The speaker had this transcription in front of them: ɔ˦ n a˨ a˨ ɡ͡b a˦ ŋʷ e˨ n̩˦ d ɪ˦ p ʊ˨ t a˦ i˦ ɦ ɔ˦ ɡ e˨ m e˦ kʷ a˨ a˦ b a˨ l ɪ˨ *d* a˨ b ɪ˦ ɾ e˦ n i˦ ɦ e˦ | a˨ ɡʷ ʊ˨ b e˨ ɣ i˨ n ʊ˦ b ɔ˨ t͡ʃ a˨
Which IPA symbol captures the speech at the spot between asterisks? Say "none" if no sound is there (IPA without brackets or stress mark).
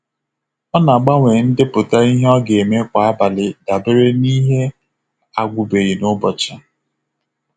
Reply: d